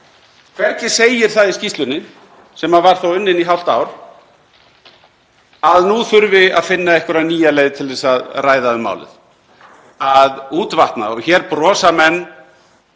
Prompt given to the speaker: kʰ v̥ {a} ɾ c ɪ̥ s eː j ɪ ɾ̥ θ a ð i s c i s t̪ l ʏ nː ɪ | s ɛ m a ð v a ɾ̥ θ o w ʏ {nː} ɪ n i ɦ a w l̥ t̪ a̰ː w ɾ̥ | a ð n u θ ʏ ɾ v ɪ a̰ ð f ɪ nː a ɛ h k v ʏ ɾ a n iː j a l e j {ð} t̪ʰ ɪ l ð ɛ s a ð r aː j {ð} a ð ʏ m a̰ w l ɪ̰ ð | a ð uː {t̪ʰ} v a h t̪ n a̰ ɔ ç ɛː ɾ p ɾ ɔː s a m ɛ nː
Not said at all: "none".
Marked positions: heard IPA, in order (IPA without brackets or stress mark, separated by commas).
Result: ɛ, nː, ð, ð, t̪